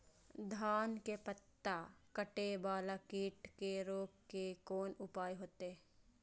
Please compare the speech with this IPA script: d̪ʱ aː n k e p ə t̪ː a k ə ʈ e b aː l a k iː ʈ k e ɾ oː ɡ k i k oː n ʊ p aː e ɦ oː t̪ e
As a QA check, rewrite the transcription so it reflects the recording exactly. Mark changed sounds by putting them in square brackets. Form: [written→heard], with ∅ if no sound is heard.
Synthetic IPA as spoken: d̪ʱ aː n k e p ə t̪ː a k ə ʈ e b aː l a k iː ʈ k e ɾ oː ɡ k [i→e] k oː n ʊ p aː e ɦ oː t̪ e